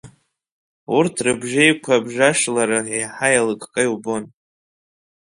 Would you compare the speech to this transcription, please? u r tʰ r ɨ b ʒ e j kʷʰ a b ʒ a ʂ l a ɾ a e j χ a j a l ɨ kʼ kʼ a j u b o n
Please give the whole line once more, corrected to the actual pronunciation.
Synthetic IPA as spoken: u r tʰ r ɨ b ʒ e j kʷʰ a b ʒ a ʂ l a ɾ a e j ħ a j a l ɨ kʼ kʼ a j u b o n

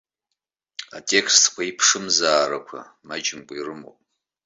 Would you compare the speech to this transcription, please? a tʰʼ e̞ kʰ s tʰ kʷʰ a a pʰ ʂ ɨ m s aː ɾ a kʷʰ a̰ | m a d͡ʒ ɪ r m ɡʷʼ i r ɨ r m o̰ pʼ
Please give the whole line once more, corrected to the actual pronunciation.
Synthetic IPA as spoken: a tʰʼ e̞ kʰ s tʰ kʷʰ a i pʰ ʂ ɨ m z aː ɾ a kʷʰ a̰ | m a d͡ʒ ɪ m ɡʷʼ i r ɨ m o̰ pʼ

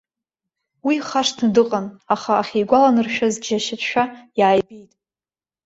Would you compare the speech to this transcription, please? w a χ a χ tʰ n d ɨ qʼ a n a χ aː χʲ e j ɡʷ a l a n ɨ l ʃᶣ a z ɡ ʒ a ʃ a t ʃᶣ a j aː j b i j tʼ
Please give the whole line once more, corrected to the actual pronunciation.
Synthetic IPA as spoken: w i χ a ʂ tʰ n d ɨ qʼ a n a χ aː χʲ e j ɡʷ a l a n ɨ r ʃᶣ a z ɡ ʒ a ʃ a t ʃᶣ a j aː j b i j tʼ

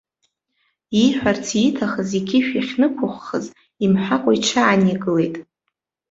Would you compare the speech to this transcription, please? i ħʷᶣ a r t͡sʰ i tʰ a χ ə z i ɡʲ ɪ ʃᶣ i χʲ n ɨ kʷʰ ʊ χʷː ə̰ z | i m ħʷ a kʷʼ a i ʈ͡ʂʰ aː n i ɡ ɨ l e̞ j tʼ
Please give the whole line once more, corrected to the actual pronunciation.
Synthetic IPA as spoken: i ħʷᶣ a r t͡sʰ i tʰ a χ ə z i ɡʲ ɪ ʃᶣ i χʲ n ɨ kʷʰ ʊ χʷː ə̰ z | i m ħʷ a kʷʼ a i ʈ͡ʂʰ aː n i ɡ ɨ l e̞ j tʼ

